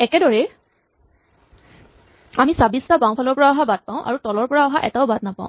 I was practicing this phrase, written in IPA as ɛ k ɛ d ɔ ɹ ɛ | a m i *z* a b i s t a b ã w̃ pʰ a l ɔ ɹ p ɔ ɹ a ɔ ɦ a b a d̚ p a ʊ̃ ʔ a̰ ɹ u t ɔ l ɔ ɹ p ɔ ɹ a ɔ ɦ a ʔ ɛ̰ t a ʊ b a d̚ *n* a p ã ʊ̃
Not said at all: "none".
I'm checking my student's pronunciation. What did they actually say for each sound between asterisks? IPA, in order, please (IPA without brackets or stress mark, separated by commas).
s, n